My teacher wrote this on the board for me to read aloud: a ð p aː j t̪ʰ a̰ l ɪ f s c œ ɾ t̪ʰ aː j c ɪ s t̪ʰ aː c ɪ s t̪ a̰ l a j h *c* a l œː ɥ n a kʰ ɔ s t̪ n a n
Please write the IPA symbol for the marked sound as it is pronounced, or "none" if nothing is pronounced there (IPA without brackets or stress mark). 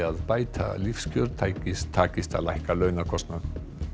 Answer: k